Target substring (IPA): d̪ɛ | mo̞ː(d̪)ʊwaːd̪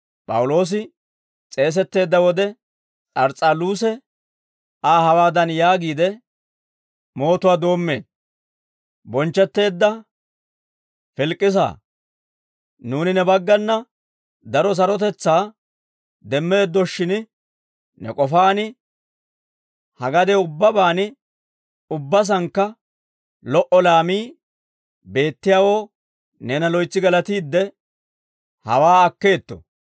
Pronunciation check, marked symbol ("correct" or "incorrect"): incorrect